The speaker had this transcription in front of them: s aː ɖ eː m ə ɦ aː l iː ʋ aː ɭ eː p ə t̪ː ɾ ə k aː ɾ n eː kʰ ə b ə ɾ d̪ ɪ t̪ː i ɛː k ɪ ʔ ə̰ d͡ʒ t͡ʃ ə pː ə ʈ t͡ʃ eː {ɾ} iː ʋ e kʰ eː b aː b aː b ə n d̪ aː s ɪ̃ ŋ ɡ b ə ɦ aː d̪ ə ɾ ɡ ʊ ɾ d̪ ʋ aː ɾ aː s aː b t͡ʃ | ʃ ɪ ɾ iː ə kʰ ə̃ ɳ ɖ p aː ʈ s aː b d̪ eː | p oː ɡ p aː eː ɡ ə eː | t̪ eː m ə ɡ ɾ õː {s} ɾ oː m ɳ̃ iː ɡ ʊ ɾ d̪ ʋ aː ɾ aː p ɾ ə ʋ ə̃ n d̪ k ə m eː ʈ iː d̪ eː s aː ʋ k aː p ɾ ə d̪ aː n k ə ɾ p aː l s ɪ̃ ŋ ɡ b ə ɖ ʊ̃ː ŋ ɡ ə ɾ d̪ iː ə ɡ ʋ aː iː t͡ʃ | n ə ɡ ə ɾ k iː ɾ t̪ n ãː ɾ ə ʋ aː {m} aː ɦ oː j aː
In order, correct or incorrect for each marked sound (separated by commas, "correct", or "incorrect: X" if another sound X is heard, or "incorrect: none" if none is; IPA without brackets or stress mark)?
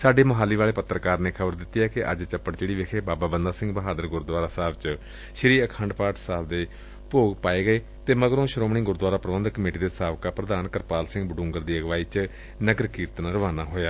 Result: incorrect: ɽ, incorrect: ʃ, incorrect: n